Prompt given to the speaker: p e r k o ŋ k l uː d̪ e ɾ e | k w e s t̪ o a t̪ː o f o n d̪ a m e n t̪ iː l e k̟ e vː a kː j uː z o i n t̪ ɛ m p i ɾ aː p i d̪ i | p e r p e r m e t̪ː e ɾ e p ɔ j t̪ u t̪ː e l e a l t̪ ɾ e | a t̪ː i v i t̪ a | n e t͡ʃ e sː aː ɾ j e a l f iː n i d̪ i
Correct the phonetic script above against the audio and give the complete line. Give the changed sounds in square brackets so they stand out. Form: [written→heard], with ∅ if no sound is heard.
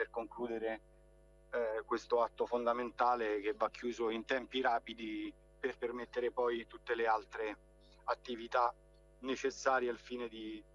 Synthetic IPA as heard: p e r k o ŋ k l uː d̪ e ɾ e | k w e s t̪ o a t̪ː o f o n d̪ a m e n t̪ [iː→aː] l e k̟ e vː a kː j uː z o i n t̪ ɛ m p i ɾ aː p i d̪ i | p e r p e r m e t̪ː e ɾ e p ɔ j t̪ u t̪ː e l e a l t̪ ɾ e | a t̪ː i v i t̪ a | n e t͡ʃ e sː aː ɾ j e a l f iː n [i→e] d̪ i